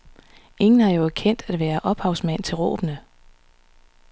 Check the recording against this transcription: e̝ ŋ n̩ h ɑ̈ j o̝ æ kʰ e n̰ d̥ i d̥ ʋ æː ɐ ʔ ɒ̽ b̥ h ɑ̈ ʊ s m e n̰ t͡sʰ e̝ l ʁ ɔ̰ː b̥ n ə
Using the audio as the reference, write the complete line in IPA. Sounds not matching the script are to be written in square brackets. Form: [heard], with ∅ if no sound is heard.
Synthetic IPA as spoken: e̝ ŋ n̩ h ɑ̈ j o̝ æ kʰ e n̰ d̥ [æ] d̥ ʋ æː ɐ ʔ ɒ̽ b̥ h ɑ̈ ʊ s m [æ] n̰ t͡sʰ e̝ l ʁ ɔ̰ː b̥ n ə